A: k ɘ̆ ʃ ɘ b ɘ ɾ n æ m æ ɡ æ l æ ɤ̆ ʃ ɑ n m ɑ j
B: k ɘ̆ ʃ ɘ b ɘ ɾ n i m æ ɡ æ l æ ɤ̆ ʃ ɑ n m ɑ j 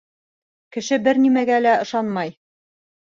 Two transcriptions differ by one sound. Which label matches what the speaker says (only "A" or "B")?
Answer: B